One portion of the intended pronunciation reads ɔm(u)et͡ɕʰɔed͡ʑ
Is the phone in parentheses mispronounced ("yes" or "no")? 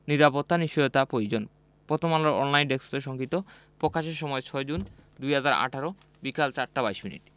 yes